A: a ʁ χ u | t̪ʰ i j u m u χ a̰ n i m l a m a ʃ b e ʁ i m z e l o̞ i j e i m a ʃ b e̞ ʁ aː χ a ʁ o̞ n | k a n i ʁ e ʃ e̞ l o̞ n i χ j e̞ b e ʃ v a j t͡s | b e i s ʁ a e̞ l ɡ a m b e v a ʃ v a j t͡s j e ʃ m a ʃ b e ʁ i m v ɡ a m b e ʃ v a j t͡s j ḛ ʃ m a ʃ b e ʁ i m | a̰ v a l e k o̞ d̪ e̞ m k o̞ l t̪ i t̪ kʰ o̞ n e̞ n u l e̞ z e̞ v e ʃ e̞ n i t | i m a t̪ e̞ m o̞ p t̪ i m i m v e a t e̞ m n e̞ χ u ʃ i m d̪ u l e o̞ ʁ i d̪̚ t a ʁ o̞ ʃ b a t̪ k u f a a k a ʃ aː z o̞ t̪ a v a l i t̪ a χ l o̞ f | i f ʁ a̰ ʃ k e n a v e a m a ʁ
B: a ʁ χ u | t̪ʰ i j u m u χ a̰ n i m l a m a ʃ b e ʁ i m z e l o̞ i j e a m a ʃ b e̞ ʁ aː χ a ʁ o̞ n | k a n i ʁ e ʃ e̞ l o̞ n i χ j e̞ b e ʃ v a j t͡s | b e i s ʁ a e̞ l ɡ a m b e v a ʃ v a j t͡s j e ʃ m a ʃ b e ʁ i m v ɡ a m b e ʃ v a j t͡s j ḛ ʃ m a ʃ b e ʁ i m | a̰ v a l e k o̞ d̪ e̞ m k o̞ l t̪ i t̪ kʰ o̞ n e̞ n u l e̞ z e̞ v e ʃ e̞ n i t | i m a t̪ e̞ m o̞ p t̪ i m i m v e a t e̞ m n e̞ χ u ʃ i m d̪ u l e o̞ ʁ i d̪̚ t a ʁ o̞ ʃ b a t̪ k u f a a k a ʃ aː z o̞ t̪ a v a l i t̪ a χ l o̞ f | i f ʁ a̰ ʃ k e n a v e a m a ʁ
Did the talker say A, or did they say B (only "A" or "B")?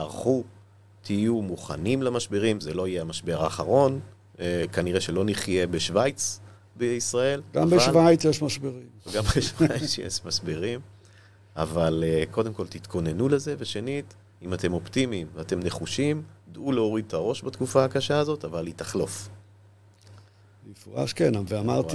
B